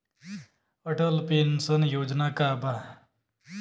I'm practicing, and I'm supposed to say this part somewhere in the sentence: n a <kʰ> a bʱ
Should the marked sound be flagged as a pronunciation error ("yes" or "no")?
yes